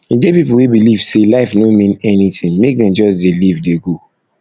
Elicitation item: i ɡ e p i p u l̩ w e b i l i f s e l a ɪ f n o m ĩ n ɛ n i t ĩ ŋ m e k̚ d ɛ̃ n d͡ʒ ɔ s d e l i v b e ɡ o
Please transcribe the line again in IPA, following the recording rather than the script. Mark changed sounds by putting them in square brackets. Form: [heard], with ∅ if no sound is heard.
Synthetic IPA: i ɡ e p i p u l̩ w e b i l i [v] s e l a ɪ f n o m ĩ n ɛ n i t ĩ ŋ m e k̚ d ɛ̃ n d͡ʒ ɔ s d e l i v [d] e ɡ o